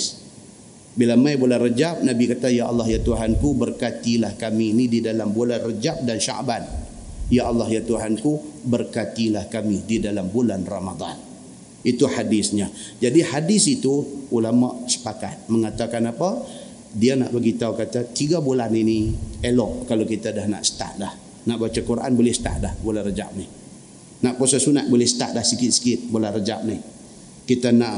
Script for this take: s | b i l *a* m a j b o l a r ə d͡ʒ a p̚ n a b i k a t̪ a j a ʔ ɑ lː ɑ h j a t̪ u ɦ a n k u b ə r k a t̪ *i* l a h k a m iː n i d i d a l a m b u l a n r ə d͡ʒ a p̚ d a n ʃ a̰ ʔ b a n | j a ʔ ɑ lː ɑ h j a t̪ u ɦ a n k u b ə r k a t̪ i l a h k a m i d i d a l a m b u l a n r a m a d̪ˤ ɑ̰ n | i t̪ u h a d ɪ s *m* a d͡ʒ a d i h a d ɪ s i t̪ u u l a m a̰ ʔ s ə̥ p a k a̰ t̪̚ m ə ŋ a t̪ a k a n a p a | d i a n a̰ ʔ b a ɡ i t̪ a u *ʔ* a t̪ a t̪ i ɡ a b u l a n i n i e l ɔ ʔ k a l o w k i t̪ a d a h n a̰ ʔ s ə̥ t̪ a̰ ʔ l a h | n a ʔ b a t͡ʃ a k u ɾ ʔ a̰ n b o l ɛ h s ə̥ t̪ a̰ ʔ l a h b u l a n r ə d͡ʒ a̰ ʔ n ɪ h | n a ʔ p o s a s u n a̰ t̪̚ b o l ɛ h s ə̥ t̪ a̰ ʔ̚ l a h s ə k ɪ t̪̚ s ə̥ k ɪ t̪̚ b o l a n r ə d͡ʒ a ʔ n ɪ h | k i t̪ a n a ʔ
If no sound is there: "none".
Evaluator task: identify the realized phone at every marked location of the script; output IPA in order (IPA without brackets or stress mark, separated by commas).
a, i, ɲ, k